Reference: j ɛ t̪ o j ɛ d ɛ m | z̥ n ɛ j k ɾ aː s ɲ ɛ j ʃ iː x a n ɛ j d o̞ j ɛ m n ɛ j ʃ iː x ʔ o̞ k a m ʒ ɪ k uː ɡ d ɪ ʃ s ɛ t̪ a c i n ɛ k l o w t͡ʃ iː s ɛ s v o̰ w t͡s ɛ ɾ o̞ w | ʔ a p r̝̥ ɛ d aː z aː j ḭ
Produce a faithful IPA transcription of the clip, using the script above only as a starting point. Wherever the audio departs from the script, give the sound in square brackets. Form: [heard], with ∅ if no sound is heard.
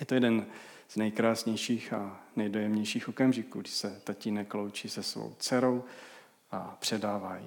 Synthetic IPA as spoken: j ɛ t̪ o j ɛ d ɛ [n] | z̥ n ɛ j k ɾ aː s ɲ ɛ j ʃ iː x a n ɛ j d o̞ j ɛ m [ɲ] ɛ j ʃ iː x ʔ o̞ k a m ʒ ɪ k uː ɡ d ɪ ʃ s ɛ t̪ a c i n ɛ k l o w t͡ʃ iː s ɛ s v o̰ w t͡s ɛ ɾ o̞ w | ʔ a p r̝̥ ɛ d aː [v] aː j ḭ